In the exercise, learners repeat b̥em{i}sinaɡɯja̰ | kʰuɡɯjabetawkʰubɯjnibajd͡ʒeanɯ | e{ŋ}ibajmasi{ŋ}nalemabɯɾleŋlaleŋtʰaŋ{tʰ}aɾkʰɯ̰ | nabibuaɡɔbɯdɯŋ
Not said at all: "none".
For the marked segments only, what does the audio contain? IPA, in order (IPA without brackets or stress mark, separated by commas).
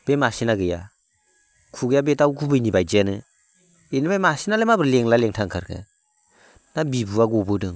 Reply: a, n, none, kʰ